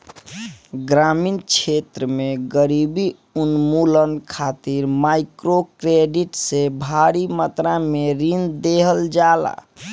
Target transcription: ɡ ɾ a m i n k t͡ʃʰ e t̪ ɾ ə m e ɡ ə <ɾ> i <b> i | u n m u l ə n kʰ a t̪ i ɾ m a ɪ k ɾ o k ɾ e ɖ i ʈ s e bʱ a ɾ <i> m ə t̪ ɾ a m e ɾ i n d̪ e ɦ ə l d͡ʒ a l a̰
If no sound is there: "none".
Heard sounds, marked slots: ɾ, b, i

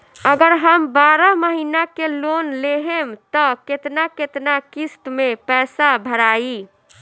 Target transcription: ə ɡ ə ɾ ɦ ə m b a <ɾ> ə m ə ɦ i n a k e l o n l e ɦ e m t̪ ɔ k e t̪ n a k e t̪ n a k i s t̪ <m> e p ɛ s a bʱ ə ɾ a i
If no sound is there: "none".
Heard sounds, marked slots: ɾ, m

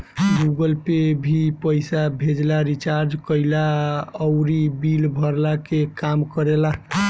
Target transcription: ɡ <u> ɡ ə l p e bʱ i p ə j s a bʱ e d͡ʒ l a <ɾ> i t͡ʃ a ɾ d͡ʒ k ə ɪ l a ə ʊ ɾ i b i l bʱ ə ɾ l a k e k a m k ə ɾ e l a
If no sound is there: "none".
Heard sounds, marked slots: u, ɾ

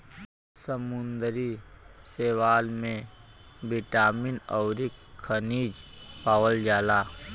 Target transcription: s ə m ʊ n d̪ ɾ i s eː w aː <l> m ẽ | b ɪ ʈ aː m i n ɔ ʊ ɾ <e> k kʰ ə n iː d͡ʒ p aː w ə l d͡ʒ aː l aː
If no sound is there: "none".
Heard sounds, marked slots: l, i

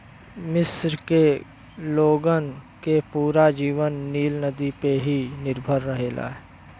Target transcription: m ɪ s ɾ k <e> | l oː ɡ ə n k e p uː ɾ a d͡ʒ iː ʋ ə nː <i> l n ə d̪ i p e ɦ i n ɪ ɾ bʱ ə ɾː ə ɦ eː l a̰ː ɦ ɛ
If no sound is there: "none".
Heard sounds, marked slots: e, iː

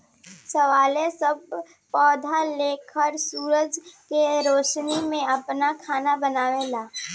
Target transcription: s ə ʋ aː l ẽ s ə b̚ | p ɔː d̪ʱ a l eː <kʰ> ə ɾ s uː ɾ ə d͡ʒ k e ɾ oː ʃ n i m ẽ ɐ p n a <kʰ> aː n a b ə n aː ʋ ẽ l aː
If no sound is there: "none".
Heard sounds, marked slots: kʰ, kʰ

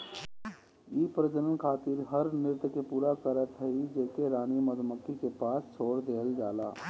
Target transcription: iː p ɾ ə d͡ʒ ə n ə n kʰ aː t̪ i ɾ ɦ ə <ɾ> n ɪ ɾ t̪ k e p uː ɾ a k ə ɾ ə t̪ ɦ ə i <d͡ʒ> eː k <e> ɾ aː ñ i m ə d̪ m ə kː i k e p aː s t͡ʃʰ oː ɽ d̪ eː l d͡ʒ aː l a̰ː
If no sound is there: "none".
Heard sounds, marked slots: ɾ, d͡ʒ, e

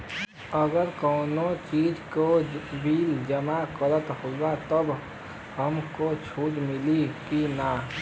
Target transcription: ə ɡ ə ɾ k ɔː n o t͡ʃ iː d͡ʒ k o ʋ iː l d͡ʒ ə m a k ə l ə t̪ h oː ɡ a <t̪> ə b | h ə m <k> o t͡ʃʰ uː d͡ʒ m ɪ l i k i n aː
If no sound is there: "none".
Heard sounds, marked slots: t̪, k

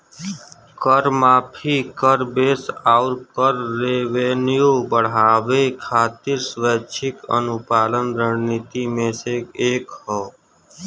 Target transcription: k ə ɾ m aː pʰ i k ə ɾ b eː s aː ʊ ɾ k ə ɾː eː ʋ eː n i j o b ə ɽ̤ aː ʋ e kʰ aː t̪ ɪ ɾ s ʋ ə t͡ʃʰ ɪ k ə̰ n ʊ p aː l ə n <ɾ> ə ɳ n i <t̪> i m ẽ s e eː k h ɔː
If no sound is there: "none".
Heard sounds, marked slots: ɾ, t̪

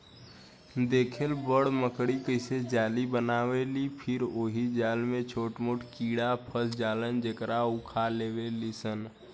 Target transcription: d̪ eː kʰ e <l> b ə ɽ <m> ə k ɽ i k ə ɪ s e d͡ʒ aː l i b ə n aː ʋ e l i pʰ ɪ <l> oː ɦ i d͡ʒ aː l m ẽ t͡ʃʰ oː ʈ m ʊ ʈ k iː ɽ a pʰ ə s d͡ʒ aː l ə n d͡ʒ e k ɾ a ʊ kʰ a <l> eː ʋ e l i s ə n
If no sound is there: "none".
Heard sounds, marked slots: l, m, ɾ, l

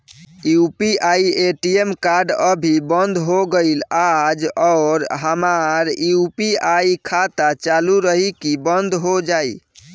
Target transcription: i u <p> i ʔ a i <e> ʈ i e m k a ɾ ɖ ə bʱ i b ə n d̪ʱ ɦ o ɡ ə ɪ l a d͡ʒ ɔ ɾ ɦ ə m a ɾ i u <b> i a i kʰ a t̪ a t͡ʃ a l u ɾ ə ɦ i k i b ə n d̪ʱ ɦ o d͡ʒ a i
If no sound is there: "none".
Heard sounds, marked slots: p, e, p

